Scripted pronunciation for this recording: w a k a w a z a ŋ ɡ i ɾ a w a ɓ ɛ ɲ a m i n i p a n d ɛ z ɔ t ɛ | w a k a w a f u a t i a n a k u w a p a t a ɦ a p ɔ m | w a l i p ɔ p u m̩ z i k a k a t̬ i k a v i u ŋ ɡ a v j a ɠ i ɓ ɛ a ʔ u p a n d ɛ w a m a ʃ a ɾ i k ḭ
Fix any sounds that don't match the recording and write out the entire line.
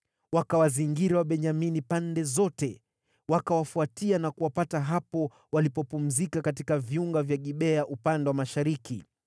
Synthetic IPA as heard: w a k a w a z i ŋ ɡ i ɾ a w a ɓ ɛ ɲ a m i n i p a n d ɛ z ɔ t ɛ | w a k a w a f u a t i a n a k u w a p a t a ɦ a p ɔ | w a l i p ɔ p u m̩ z i k a k a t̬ i k a v i u ŋ ɡ a v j a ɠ i ɓ ɛ a ʔ u p a n d ɛ w a m a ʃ a ɾ i k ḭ